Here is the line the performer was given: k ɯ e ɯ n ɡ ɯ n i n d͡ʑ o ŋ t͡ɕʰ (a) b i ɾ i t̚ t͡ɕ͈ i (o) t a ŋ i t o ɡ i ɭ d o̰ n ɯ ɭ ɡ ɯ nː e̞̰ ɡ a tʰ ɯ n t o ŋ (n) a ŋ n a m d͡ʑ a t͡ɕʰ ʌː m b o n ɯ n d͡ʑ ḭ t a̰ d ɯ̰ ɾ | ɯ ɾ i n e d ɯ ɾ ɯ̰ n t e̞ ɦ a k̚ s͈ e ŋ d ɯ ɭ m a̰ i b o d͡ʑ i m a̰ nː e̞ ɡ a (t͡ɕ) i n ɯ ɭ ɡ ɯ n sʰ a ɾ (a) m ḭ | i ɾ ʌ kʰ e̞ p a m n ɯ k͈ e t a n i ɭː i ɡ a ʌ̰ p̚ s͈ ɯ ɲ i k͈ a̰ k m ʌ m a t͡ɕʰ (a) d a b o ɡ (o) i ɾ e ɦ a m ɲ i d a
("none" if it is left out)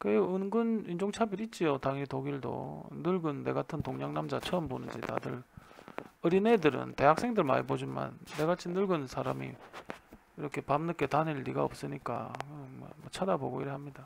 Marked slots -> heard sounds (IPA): a, o, ɲ, t͡ɕʰ, a, a, o

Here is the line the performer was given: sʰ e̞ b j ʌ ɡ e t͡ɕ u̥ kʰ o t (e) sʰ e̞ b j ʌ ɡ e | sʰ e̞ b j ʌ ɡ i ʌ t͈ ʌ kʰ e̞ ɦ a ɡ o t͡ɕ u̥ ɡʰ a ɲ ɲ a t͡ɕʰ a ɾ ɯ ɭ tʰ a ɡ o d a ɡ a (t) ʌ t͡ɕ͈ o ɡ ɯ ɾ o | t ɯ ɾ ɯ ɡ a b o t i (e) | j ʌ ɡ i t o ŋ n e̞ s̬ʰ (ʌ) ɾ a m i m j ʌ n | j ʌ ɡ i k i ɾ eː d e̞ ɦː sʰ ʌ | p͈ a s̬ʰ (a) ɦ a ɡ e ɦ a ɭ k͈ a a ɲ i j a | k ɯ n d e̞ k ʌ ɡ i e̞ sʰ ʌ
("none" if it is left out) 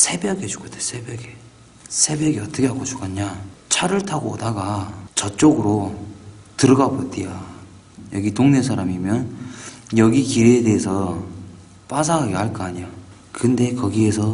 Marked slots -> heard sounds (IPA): e, t͡ɕ, a, a, a

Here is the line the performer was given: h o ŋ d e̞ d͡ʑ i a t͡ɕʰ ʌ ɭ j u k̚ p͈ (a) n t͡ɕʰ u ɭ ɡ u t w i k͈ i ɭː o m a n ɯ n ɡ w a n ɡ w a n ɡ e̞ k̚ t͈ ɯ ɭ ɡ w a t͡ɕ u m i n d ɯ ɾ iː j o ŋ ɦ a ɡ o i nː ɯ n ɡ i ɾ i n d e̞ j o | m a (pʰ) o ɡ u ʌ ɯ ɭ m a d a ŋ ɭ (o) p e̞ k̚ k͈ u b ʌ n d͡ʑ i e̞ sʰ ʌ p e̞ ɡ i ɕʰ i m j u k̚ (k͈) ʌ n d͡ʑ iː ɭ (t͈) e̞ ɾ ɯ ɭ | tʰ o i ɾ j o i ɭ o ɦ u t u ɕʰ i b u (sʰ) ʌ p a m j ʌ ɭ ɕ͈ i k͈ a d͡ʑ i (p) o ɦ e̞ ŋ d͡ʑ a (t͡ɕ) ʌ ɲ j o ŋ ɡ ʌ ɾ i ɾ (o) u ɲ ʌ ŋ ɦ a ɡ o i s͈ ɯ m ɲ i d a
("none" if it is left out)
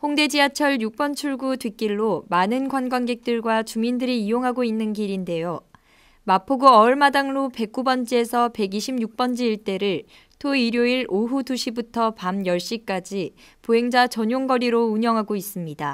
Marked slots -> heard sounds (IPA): ʌ, pʰ, o, p͈, t͈, tʰ, p, t͡ɕ, o

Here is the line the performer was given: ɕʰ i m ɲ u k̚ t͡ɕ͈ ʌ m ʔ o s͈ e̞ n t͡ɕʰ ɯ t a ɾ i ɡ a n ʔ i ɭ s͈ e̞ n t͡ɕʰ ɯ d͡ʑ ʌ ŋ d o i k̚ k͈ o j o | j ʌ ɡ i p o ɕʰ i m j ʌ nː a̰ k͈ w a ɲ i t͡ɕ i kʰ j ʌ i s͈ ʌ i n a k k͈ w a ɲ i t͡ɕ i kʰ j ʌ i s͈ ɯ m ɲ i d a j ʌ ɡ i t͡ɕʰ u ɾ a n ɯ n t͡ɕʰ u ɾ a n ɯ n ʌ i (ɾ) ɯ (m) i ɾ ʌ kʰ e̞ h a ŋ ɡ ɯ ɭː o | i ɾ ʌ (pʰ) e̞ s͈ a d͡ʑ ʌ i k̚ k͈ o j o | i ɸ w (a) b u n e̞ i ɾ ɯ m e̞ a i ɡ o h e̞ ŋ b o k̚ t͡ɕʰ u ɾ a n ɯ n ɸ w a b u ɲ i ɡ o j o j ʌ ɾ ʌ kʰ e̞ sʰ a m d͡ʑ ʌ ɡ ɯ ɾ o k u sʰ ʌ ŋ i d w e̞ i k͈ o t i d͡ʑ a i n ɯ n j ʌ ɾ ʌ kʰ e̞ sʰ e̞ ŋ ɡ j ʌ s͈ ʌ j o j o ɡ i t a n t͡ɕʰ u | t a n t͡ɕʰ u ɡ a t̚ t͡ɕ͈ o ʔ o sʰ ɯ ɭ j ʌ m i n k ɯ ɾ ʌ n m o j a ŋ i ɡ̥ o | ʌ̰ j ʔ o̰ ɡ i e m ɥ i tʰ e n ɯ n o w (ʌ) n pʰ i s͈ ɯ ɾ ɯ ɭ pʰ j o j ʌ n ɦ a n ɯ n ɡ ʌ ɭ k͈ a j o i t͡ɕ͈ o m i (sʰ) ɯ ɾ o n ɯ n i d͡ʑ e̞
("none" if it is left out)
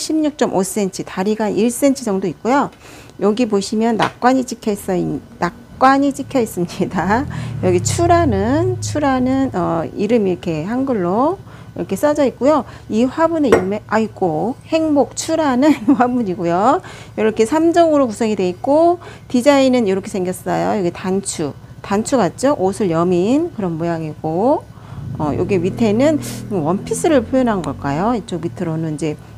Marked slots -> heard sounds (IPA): ɾ, m, kʰ, a, ʌ, tʰ

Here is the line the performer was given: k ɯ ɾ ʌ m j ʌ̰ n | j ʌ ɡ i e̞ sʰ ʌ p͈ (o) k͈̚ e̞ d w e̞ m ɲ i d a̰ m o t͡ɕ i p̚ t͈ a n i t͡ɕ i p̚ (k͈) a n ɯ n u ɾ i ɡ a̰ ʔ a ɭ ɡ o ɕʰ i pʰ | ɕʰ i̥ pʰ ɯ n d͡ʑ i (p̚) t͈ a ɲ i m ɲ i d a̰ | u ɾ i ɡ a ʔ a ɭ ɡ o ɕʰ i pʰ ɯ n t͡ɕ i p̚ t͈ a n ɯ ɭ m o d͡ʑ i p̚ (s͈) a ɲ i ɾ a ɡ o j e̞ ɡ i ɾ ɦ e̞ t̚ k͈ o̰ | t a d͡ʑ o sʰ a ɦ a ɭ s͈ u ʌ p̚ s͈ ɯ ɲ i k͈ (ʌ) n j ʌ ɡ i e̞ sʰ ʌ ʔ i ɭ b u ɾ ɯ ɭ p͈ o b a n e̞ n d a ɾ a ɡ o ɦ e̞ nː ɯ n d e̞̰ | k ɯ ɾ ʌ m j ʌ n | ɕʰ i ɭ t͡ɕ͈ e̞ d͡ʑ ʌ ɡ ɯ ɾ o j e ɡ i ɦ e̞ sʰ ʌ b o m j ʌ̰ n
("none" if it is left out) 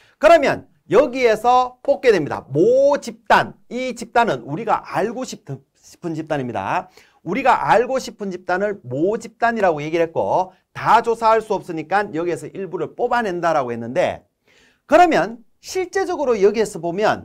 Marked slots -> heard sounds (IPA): o, t͈, p̚, t͈, a

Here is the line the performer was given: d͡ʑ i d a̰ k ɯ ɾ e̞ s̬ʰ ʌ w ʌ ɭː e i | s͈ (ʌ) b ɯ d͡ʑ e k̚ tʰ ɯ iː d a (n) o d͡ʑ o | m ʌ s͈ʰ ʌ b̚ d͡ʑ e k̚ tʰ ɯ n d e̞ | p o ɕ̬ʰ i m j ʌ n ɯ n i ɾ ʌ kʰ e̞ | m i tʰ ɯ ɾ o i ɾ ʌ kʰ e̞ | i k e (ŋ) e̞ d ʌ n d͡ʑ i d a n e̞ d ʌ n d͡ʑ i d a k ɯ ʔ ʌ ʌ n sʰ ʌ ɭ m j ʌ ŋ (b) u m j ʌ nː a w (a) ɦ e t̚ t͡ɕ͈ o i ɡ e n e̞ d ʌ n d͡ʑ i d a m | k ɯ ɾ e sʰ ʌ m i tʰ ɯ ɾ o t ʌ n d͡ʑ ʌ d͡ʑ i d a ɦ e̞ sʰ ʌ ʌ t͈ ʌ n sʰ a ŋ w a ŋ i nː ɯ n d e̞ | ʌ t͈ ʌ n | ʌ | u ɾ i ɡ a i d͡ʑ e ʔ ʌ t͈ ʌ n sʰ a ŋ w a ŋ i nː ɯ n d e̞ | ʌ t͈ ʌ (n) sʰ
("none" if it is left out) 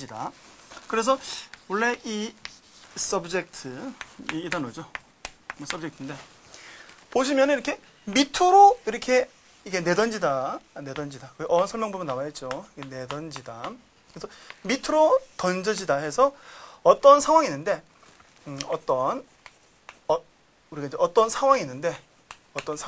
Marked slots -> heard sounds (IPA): ʌ, n, n, b, a, n

